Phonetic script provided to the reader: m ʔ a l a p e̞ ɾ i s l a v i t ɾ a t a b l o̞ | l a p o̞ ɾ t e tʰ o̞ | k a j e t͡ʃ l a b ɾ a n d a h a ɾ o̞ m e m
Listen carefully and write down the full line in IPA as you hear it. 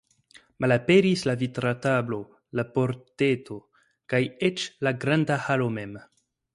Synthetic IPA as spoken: m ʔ a l a p e̞ ɾ i s l a v i t ɾ a t a b l o̞ | l a p o̞ ɾ t e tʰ o̞ | k a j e t͡ʃ l a ɡ ɾ a n d a h a l o̞ m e m